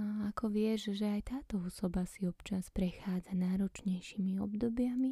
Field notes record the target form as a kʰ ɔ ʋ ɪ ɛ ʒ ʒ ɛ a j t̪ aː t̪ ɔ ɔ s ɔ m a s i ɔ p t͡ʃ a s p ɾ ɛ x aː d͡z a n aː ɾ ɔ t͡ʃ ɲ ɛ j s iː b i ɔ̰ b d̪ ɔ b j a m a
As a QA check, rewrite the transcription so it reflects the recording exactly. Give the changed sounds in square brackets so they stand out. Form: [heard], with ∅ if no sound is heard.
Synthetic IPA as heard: a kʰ ɔ ʋ ɪ ɛ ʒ ʒ ɛ a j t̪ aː t̪ ɔ ɔ s ɔ [b] a s i ɔ p t͡ʃ a s p ɾ ɛ x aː d͡z a n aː ɾ ɔ t͡ʃ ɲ ɛ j [ʃ] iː [m] i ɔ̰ b d̪ ɔ b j a m [i]